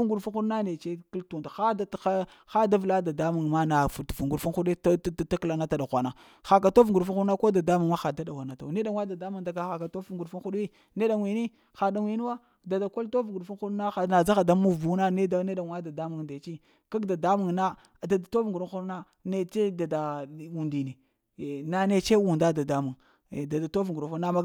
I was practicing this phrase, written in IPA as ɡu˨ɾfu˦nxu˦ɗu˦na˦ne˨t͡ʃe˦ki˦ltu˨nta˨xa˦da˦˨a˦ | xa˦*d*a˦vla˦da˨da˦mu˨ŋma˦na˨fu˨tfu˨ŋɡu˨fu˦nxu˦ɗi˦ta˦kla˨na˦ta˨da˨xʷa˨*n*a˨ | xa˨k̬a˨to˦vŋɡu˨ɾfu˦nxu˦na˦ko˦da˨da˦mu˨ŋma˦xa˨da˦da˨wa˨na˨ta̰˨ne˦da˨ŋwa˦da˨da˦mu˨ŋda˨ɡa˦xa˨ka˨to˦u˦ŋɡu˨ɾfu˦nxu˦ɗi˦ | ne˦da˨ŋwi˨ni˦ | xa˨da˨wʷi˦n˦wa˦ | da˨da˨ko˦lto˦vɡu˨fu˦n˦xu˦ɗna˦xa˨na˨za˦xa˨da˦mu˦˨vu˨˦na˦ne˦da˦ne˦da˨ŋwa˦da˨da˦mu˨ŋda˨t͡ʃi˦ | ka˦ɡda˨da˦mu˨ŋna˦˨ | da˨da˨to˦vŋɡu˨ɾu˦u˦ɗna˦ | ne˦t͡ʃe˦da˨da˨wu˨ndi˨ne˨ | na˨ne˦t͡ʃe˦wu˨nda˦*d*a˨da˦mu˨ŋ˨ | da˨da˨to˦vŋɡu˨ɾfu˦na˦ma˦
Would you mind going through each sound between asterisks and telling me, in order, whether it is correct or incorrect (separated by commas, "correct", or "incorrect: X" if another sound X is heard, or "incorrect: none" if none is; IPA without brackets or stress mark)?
correct, correct, correct